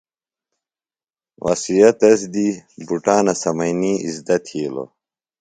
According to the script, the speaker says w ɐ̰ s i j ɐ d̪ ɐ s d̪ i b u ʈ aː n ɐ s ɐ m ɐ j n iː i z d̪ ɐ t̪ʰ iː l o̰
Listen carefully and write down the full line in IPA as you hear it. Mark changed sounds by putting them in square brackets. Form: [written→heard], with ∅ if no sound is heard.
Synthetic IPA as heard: w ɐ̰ s i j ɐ [d̪→t̪] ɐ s d̪ i b u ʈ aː n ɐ s ɐ m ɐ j n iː i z d̪ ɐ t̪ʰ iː l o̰